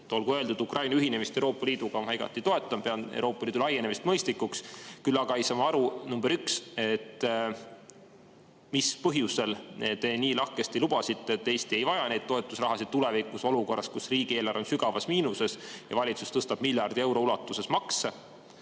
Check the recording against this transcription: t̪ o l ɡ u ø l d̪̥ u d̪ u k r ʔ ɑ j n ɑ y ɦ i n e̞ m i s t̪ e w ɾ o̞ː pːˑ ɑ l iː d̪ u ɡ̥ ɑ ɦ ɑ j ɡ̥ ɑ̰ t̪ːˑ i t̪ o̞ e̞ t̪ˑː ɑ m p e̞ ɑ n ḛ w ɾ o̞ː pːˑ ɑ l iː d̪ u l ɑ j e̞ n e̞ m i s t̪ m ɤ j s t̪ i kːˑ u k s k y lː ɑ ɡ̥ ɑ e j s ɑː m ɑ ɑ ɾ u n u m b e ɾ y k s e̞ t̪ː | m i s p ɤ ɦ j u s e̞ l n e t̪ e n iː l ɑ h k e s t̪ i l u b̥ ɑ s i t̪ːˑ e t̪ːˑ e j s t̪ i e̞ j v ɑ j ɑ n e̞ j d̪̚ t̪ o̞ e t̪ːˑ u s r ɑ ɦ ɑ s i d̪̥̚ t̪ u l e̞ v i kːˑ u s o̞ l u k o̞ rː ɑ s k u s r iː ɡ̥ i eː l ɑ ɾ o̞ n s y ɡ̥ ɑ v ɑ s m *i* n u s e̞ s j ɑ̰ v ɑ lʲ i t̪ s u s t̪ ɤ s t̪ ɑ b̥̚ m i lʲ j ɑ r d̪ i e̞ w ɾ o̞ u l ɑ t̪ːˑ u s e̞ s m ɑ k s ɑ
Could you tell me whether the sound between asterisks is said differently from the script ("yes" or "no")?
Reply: yes